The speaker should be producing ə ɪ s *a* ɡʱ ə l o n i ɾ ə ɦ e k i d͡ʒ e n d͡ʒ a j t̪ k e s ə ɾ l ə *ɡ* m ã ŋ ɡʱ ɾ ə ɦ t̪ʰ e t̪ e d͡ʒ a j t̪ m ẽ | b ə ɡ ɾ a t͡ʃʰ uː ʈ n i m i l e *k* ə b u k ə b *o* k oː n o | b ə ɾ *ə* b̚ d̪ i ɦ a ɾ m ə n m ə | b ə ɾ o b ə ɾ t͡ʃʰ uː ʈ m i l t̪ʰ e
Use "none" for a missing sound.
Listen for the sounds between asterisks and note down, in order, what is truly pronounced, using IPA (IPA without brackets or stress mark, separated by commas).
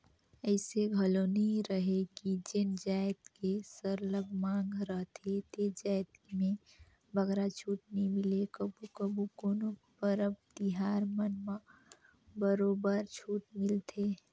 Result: e, ɡ, k, u, ə